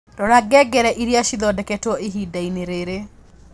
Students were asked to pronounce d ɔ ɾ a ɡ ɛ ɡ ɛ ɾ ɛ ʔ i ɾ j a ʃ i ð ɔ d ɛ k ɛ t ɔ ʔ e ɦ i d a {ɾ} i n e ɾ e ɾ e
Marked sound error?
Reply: yes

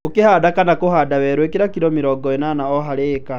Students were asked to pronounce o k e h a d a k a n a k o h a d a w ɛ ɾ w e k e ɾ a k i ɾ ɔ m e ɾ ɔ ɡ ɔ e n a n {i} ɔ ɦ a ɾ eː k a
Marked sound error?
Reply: yes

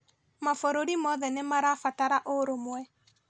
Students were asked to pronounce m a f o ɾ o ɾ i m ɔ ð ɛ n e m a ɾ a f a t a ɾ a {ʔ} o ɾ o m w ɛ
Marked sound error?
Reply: no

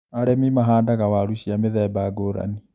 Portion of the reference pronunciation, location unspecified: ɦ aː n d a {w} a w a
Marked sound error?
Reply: yes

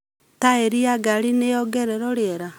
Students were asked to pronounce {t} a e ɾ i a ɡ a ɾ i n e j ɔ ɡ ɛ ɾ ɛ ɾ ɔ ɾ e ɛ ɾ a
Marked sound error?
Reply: no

